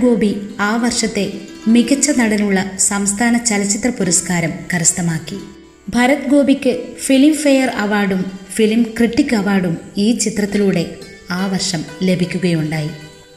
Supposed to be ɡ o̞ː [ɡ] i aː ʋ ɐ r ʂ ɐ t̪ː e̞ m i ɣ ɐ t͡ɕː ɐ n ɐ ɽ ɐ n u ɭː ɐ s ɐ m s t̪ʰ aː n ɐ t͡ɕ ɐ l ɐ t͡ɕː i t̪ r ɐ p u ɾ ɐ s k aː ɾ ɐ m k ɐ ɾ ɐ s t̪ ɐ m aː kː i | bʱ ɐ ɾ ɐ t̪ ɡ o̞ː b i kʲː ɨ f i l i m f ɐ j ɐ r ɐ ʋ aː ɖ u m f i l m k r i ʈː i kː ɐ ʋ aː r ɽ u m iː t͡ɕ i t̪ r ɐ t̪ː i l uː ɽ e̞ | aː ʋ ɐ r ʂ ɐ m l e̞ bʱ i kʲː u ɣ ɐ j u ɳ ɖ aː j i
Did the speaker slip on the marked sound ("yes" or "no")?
yes